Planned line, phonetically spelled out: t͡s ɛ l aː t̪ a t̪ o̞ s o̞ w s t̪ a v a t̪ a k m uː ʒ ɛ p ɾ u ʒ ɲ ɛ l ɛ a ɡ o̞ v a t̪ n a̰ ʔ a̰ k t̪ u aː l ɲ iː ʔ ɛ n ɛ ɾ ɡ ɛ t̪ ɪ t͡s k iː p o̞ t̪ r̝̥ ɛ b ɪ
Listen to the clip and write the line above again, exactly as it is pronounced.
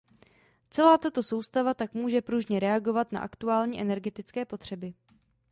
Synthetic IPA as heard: t͡s ɛ l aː t̪ a t̪ o̞ s o̞ w s t̪ a v a t̪ a k m uː ʒ ɛ p ɾ u ʒ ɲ ɛ ɾ ɛ a ɡ o̞ v a t̪ n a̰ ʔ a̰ k t̪ u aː l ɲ iː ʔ ɛ n ɛ ɾ ɡ ɛ t̪ ɪ t͡s k ɛː p o̞ t̪ r̝̥ ɛ b ɪ